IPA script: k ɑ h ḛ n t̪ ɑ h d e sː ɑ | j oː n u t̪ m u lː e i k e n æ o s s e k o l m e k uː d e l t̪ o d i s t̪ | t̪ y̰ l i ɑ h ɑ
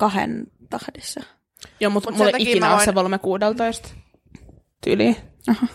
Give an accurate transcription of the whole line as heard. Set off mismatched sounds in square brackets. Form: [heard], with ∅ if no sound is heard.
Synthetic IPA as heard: k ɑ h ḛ n t̪ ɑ h d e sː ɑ | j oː [m] u t̪ m u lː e i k [i] n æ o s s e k o l m e k uː d e l t̪ o [∅] i s t̪ | t̪ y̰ l i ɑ h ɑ